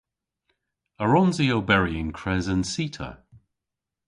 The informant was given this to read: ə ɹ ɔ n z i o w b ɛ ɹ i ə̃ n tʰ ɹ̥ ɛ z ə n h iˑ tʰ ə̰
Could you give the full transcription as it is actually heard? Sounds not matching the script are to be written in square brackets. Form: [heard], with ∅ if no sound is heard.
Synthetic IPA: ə ɹ ɔ n z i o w b ɛ ɹ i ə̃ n [kʰ] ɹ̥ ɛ z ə n [s] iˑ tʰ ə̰